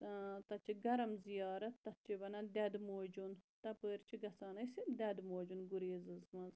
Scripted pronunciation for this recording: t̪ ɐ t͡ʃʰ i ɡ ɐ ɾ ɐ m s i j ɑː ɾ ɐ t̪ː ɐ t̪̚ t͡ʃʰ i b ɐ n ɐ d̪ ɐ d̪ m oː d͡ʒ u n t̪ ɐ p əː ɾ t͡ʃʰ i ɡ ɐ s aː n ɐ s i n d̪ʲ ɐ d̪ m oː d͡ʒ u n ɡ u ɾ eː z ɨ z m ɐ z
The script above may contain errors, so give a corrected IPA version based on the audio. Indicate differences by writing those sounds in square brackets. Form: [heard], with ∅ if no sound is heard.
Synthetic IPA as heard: t̪ ɐ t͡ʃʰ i ɡ ɐ ɾ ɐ m [z] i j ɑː ɾ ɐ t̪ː ɐ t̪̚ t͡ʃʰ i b ɐ n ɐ d̪ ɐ d̪ m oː d͡ʒ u n t̪ ɐ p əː ɾ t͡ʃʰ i ɡ ɐ s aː n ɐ s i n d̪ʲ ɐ d̪ m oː d͡ʒ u n ɡ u ɾ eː z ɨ z m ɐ z